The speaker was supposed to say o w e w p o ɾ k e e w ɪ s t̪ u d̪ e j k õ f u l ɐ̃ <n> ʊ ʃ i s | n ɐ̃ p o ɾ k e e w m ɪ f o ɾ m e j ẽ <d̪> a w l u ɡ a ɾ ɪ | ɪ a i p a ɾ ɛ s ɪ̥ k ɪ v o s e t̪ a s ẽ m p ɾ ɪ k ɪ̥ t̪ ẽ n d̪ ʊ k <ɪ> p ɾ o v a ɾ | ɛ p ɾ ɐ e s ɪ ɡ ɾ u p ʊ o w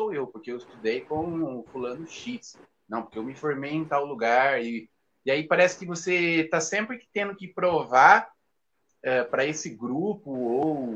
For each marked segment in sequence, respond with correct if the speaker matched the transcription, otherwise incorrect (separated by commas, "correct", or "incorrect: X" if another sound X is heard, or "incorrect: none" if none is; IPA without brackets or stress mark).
correct, incorrect: t̪, correct